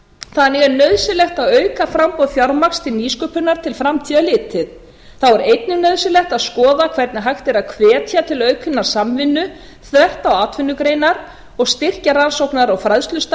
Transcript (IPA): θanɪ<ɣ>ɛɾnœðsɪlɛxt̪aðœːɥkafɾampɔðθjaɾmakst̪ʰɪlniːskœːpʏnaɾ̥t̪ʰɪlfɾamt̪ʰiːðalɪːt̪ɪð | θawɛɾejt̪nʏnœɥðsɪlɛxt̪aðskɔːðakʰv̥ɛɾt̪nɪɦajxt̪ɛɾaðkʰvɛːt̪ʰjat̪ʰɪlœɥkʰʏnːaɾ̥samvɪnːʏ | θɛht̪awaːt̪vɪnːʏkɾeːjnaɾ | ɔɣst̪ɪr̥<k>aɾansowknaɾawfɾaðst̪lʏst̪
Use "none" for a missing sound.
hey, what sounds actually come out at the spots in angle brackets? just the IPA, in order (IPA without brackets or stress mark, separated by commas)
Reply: ɣ, c